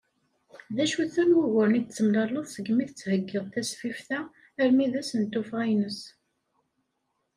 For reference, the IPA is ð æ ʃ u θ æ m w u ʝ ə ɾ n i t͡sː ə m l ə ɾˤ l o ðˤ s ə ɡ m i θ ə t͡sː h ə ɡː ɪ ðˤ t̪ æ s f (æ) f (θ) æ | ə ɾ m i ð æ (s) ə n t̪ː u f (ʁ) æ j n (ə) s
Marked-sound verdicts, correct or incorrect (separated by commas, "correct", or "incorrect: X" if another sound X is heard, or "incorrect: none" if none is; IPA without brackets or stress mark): incorrect: i, correct, correct, correct, correct